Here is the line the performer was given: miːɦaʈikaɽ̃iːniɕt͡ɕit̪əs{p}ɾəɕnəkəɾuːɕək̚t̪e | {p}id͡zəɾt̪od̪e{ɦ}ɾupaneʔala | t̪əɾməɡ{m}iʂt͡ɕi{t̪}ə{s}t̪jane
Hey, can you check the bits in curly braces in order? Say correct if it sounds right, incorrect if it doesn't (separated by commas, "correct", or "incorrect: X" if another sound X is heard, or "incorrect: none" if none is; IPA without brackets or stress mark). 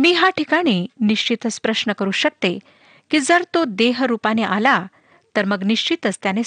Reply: correct, incorrect: k, correct, incorrect: n, correct, correct